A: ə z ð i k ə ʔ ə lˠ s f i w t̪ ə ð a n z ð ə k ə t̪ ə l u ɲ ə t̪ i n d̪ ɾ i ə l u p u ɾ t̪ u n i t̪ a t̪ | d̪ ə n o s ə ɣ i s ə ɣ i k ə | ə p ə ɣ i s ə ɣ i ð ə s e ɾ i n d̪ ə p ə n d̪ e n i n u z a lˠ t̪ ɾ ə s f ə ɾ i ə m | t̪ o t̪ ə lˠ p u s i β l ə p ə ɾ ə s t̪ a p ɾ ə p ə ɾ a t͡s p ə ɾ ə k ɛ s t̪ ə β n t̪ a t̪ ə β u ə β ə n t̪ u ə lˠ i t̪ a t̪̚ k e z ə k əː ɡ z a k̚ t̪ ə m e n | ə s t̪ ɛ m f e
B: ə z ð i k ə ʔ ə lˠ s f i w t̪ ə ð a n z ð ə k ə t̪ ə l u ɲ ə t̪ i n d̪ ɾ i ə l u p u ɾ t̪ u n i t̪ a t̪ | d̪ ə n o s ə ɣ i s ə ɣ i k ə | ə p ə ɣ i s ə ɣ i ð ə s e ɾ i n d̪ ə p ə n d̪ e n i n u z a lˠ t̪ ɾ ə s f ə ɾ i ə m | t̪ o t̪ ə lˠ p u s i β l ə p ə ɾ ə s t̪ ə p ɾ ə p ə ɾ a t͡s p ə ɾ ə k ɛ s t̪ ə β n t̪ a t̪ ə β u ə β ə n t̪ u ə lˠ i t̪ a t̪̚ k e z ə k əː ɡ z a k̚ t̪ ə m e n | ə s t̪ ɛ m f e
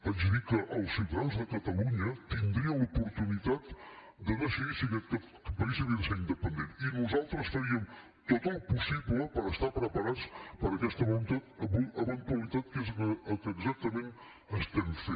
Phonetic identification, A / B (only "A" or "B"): A